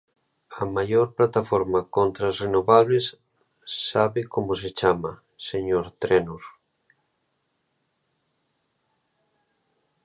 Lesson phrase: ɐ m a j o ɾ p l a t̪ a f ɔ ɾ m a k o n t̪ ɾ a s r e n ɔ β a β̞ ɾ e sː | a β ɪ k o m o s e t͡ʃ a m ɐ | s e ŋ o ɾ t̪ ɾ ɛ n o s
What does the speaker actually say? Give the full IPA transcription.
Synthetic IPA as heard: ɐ m a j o ɾ p l a t̪ a f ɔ ɾ m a k o n t̪ ɾ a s r e n o β a β̞ l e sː | a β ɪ k o m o s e t͡ʃ a m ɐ | s e ɲ o ɾ t̪ ɾ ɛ n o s